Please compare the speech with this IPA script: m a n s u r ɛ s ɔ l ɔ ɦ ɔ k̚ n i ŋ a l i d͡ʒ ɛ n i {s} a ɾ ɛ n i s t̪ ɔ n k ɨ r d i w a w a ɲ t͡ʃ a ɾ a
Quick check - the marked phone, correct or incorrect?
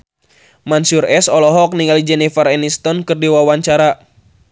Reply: incorrect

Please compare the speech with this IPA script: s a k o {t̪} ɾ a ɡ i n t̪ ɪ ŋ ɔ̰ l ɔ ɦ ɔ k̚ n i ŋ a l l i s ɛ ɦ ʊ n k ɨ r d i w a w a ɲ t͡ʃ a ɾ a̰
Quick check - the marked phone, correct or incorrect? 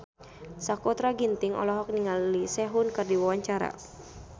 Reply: correct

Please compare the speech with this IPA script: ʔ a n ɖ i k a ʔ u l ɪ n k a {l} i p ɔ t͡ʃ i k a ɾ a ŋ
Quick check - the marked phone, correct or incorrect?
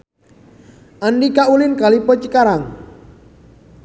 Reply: correct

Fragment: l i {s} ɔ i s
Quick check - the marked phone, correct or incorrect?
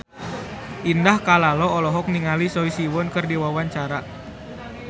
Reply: correct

